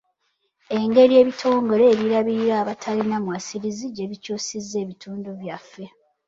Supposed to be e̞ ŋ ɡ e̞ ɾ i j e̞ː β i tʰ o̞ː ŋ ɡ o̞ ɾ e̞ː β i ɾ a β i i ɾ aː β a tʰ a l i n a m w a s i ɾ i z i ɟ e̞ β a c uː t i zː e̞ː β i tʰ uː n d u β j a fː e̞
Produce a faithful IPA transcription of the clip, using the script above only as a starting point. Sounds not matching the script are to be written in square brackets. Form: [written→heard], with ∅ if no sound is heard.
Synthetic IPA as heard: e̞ ŋ ɡ e̞ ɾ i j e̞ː β i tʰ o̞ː ŋ ɡ o̞ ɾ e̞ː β i ɾ a β i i ɾ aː β a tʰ a l i n a m w a s i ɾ i z i ɟ e̞ β [a→i] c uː [t→s] i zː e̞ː β i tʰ uː n d u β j a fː e̞